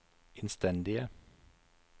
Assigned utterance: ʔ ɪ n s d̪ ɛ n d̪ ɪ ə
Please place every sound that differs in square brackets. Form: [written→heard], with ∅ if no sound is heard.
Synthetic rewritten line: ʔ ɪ n s [d̪→t̪] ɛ n d̪ ɪ ə

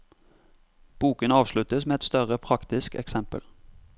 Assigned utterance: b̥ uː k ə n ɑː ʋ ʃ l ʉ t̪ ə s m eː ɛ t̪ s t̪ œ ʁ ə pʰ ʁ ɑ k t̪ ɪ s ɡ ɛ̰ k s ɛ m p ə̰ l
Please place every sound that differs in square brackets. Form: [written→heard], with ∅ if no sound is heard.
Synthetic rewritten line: b̥ uː k ə n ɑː ʋ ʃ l ʉ t̪ ə s m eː ɛ t̪ s t̪ œ ʁ ə pʰ ʁ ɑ k t̪ ɪ s [ɡ→k] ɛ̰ k s ɛ m p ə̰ l

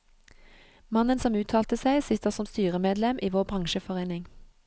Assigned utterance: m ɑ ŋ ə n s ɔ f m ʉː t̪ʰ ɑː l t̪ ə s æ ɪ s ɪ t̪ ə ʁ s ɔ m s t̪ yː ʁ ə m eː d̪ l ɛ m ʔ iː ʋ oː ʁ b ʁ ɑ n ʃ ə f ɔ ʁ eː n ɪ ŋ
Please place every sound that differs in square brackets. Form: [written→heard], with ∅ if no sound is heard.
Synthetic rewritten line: m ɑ [ŋ→n] ə n s ɔ [f→∅] m ʉː t̪ʰ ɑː l t̪ ə s æ ɪ s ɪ t̪ ə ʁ s ɔ m s t̪ yː ʁ ə m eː d̪ l ɛ m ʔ iː ʋ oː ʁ b ʁ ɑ [n→ŋ] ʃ ə f ɔ ʁ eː n ɪ ŋ

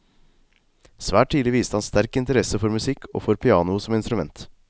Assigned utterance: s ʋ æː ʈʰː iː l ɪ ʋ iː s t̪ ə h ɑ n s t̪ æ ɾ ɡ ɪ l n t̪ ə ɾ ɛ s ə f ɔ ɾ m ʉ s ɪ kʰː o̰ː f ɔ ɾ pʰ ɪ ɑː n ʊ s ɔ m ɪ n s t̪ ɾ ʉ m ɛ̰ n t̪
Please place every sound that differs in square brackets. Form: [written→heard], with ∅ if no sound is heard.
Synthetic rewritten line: s ʋ æː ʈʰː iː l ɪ ʋ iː s t̪ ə h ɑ n s t̪ æ ɾ [ɡ→k] ɪ [l→∅] n t̪ ə ɾ ɛ s ə f ɔ ɾ m ʉ s ɪ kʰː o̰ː f ɔ ɾ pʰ ɪ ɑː n ʊ s ɔ m ɪ n s t̪ ɾ ʉ m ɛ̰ n t̪

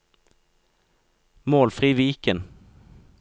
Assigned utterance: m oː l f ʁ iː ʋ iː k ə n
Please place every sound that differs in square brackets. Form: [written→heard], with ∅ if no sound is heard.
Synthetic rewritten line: m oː l f ʁ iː ʋ iː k ə n

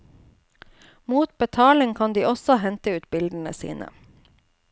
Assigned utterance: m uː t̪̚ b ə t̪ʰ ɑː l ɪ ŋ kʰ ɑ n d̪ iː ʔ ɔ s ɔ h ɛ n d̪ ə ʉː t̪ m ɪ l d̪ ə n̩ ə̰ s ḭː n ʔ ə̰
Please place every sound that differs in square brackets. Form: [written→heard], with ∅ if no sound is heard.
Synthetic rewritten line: m uː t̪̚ b ə t̪ʰ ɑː l ɪ ŋ kʰ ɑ n d̪ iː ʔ ɔ s ɔ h ɛ n [d̪→t̪] ə ʉː t̪ [m→b] ɪ l d̪ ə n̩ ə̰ s ḭː n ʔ ə̰

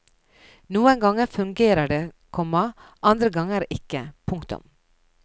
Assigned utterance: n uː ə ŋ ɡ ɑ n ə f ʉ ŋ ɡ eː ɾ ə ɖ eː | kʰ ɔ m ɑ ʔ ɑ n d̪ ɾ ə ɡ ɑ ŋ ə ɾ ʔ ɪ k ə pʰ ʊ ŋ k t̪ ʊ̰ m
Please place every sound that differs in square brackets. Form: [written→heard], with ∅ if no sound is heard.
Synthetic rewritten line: n uː ə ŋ ɡ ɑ [n→ŋ] ə f ʉ ŋ ɡ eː ɾ ə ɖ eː | kʰ ɔ m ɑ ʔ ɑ n d̪ ɾ ə ɡ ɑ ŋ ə ɾ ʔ ɪ k ə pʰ ʊ ŋ k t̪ ʊ̰ m

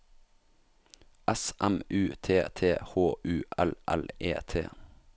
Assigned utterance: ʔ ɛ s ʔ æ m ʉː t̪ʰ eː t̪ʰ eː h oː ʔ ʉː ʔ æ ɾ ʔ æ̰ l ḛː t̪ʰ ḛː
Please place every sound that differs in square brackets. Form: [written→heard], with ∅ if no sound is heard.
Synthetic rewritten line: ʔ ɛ s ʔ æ m ʉː t̪ʰ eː t̪ʰ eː h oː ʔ ʉː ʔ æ [ɾ→l] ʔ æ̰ l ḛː t̪ʰ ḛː

